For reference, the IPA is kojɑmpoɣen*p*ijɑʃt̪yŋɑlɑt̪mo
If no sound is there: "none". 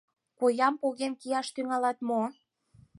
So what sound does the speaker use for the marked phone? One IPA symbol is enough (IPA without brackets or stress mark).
k